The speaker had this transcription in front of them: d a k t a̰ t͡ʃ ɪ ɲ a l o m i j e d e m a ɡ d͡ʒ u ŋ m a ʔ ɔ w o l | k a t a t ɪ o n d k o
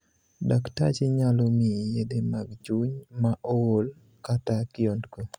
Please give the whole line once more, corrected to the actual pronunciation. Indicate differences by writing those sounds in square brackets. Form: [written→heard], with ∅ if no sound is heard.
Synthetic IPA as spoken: d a k t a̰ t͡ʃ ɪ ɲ a l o m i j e d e m a ɡ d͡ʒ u [ŋ→ɲ] m a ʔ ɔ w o l | k a t a [t→k] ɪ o n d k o